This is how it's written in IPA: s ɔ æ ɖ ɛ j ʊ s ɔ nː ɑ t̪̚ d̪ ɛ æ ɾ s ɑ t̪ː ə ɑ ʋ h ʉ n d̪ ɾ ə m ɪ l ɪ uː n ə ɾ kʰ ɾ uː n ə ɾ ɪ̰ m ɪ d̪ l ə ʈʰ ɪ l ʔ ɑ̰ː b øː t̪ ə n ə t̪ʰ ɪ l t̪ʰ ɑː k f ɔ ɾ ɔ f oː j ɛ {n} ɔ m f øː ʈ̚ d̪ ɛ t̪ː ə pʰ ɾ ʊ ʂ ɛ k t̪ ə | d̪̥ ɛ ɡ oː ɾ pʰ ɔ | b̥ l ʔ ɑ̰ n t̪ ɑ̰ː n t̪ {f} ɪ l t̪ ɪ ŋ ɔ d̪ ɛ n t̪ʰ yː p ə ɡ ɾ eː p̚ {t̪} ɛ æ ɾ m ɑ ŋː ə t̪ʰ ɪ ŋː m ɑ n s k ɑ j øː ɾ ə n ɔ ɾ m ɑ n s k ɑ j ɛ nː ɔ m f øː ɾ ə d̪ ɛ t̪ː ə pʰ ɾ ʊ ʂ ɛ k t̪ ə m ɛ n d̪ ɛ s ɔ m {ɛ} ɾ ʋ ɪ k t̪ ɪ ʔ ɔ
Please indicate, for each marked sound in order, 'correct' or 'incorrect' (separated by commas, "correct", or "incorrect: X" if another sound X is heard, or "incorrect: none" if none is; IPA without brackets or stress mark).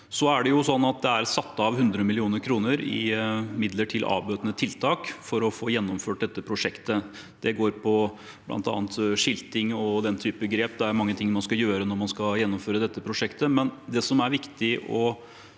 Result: incorrect: nː, incorrect: ʂ, incorrect: d̪, incorrect: æ